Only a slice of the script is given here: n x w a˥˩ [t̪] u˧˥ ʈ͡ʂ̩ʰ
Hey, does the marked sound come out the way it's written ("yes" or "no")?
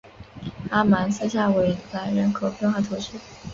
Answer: no